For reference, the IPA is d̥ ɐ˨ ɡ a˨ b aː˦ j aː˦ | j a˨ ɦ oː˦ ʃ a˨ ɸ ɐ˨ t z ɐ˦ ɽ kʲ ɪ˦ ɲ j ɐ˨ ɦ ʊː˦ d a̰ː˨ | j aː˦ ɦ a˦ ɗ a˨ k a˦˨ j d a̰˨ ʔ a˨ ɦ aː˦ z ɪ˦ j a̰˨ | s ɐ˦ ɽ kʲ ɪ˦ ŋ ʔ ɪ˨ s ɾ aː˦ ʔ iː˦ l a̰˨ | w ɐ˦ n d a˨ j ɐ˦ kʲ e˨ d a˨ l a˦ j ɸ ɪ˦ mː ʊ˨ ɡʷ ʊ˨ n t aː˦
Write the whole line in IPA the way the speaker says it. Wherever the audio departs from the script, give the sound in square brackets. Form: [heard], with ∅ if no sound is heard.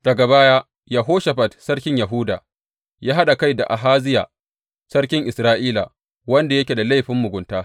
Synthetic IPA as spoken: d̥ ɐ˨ ɡ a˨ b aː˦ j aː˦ | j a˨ ɦ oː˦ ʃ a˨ ɸ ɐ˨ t [s] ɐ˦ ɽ kʲ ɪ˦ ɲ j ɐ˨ ɦ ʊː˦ d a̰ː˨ | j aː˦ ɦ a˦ ɗ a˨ k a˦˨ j d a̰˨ ʔ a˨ ɦ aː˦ z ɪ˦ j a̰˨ | s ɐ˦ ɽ kʲ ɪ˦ ŋ ʔ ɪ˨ s ɾ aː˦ ʔ iː˦ l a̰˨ | w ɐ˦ n d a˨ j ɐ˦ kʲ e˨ d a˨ l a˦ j ɸ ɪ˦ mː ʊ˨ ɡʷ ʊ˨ n t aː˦